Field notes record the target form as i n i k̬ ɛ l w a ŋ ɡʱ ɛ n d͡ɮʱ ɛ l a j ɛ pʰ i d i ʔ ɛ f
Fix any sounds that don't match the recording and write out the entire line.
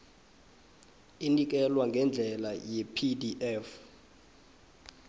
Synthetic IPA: i n i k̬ ɛ l w a ŋ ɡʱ ɛ n d͡ɮʱ ɛ l a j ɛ pʰ i d i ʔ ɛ f